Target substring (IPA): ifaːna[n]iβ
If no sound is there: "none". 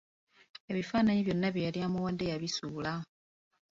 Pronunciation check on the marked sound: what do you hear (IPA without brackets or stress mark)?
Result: ɲ